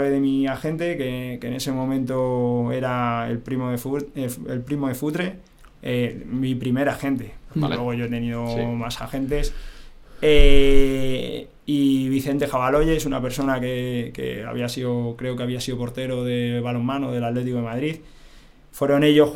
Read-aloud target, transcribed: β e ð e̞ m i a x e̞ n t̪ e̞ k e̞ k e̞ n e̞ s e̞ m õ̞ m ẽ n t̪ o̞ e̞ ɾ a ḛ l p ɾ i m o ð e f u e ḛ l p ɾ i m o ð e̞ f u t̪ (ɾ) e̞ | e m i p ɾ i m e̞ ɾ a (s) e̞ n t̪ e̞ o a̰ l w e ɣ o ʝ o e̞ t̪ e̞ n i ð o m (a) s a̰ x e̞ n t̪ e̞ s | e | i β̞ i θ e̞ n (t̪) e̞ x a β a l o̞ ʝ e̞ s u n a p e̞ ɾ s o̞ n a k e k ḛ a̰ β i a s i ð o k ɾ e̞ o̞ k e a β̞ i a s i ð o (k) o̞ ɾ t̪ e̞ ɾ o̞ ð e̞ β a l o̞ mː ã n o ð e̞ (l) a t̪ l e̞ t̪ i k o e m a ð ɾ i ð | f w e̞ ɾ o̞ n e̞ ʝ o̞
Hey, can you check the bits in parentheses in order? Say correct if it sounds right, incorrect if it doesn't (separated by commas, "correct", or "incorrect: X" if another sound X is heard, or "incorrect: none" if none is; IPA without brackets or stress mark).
correct, incorrect: x, correct, correct, incorrect: p, correct